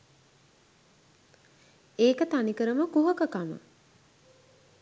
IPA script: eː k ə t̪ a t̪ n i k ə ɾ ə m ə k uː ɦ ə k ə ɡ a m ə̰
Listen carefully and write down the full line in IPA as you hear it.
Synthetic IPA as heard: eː k ə t̪ a n i k ə ɾ ə m ə k u ɦ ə k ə k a m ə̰